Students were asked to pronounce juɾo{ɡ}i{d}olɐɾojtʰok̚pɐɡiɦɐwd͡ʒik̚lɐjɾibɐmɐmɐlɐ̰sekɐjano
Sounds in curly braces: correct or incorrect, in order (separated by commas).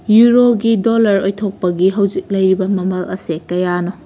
correct, correct